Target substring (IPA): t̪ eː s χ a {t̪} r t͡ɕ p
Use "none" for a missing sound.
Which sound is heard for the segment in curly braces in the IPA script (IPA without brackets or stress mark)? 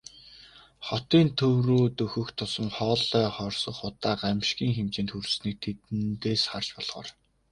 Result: none